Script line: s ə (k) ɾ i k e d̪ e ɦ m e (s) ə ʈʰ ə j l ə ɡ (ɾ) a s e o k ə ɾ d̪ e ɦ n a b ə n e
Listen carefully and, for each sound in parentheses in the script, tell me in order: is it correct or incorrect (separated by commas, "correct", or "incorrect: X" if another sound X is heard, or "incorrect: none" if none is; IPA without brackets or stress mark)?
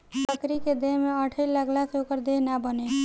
correct, incorrect: none, incorrect: l